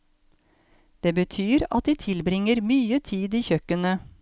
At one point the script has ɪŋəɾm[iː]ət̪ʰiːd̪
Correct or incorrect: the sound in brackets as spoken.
incorrect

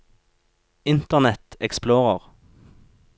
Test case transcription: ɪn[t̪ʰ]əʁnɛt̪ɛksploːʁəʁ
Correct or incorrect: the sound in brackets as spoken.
incorrect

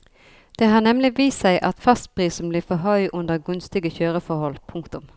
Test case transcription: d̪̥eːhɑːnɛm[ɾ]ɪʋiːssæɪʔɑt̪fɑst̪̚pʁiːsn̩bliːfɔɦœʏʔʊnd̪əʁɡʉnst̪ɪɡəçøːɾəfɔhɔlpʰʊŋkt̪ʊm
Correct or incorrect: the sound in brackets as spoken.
incorrect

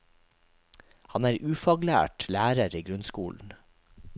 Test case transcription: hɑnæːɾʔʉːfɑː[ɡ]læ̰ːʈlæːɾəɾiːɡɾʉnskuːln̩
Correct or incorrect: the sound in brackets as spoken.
correct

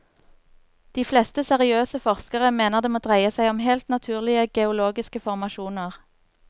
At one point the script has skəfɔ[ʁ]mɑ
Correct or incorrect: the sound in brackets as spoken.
correct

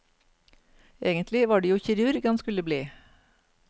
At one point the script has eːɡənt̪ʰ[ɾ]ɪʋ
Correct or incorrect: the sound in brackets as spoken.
incorrect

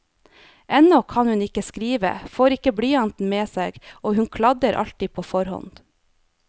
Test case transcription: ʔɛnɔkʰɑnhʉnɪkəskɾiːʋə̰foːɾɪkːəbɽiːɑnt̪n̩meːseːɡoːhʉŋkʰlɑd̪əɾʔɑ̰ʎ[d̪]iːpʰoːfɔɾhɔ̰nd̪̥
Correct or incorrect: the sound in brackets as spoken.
incorrect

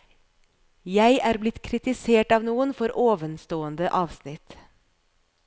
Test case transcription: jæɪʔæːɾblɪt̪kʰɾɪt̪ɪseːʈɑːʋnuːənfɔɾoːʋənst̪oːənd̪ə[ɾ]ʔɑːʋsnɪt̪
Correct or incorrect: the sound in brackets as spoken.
incorrect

